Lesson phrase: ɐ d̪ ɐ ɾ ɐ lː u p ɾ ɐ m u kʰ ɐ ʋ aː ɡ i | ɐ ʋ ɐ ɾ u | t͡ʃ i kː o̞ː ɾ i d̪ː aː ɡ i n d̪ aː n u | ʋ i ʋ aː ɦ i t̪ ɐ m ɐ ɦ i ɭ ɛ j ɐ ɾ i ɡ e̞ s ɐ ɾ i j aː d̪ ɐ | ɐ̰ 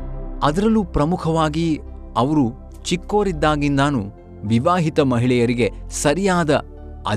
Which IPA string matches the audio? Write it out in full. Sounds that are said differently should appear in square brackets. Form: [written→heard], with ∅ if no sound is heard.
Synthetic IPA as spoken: ɐ d̪ ɐ ɾ ɐ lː u p ɾ ɐ m u kʰ ɐ ʋ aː ɡ i | ɐ ʋ ɐ ɾ u | t͡ʃ i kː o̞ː ɾ i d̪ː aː ɡ i n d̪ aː n u | ʋ i ʋ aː ɦ i t̪ ɐ m ɐ ɦ i ɭ ɛ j ɐ ɾ i ɡ e̞ s ɐ ɾ i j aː d̪ ɐ | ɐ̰